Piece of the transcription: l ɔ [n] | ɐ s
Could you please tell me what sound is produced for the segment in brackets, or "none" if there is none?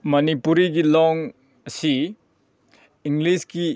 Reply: ŋ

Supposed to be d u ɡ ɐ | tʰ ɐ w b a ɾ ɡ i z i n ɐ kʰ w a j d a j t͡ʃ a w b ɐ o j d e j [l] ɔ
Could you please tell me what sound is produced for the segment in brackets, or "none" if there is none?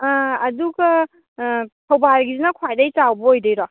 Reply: ɾ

